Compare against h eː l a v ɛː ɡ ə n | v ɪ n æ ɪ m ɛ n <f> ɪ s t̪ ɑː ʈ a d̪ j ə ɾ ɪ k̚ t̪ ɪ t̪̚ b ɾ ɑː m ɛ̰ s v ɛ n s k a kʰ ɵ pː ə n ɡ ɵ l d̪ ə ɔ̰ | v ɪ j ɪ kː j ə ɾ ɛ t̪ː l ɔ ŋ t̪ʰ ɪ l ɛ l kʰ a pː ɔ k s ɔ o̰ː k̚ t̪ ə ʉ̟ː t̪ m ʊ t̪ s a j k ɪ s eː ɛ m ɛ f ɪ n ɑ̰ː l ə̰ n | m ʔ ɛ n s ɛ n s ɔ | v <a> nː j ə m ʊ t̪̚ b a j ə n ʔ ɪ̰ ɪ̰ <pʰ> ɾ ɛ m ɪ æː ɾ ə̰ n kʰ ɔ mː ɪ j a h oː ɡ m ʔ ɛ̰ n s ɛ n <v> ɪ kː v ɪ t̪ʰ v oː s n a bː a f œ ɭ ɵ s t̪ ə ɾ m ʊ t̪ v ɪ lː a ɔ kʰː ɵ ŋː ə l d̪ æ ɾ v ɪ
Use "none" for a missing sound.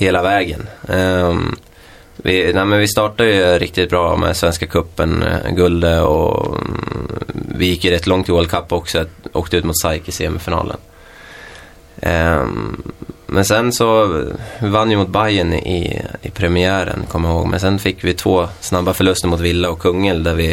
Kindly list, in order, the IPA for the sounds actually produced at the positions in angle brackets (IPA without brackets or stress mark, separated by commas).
v, a, pʰ, f